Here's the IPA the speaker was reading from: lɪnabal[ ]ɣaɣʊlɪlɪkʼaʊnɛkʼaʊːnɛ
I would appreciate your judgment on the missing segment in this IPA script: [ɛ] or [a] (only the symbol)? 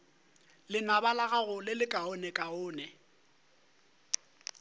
a